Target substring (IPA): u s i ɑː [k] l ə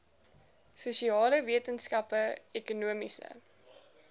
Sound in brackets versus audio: incorrect: none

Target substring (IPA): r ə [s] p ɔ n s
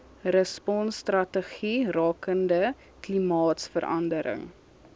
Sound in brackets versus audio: correct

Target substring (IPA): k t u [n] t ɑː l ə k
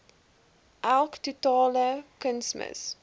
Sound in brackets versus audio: incorrect: none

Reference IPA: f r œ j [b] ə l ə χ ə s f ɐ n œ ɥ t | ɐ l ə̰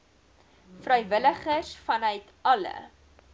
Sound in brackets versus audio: incorrect: v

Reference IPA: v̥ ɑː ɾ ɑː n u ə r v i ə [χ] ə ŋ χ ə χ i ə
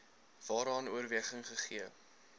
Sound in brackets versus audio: correct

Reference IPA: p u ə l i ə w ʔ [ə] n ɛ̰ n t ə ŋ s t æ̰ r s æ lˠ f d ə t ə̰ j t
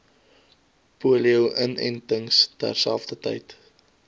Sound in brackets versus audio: correct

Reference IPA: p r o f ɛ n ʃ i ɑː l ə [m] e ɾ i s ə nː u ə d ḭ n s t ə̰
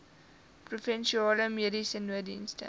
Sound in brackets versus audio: correct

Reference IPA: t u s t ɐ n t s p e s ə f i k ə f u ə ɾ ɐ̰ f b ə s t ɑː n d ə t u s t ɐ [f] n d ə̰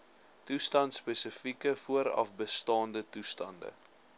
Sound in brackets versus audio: incorrect: none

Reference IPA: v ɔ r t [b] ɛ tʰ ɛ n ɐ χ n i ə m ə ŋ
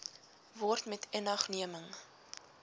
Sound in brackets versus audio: incorrect: m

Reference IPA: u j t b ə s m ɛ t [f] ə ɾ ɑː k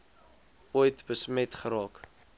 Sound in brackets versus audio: incorrect: χ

